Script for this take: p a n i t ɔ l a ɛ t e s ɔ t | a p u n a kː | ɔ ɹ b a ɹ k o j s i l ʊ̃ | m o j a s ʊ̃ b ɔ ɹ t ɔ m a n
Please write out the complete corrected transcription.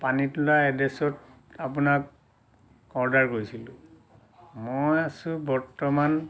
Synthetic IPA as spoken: p a n i t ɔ l a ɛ d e s ɔ t | a p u n a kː | ɔ ɹ d a ɹ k o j s i l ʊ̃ | m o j a s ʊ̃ b ɔ ɹ t ɔ m a n